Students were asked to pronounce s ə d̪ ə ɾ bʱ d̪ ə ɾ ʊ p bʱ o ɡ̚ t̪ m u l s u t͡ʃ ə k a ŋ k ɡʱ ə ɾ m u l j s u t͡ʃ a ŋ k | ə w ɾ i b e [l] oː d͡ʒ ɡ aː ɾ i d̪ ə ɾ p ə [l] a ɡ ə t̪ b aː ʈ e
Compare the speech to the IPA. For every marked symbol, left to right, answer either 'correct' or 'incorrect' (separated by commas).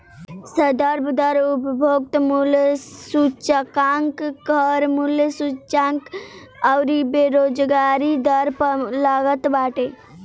incorrect, correct